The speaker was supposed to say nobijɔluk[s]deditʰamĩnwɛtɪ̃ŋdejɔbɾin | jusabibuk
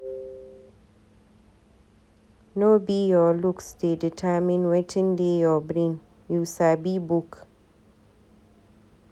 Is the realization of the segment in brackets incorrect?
no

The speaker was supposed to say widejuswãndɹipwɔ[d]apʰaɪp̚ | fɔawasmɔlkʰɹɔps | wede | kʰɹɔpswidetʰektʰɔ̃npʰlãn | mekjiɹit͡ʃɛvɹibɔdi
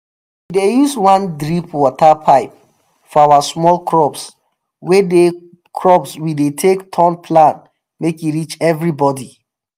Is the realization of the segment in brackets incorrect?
yes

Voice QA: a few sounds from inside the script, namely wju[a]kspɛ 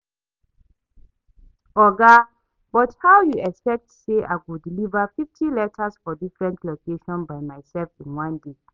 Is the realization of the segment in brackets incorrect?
yes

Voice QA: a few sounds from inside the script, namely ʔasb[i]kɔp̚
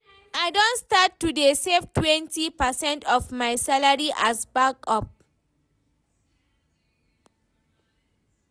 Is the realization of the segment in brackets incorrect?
yes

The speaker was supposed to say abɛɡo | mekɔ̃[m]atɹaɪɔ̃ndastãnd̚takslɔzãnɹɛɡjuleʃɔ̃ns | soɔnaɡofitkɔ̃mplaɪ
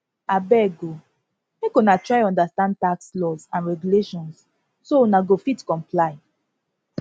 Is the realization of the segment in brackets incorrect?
yes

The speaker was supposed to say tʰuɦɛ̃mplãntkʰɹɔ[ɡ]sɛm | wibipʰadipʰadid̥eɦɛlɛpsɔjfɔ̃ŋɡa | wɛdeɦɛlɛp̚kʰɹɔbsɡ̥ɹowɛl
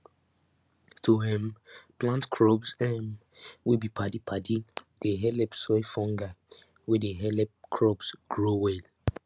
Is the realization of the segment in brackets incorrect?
yes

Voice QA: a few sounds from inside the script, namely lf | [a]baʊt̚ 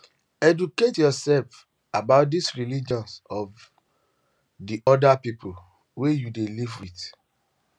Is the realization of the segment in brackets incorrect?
no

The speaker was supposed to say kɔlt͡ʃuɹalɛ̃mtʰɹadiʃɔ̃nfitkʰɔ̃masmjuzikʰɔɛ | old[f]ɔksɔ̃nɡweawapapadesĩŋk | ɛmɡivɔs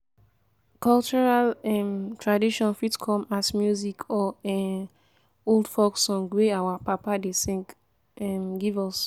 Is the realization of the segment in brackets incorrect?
no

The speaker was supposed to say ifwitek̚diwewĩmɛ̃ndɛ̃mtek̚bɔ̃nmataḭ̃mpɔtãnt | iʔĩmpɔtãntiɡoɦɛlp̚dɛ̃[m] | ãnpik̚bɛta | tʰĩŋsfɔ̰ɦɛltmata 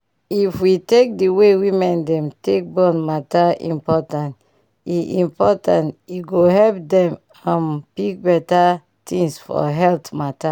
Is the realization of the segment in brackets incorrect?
no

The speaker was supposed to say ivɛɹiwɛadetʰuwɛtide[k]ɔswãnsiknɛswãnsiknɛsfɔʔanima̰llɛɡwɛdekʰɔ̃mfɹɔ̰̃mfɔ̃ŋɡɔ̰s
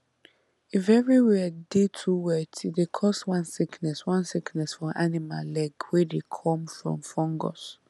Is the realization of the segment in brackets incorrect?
yes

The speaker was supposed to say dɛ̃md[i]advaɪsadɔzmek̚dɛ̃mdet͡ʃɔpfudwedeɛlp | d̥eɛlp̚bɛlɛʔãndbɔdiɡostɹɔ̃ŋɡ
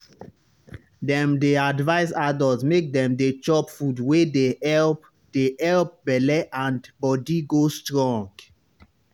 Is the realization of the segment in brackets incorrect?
yes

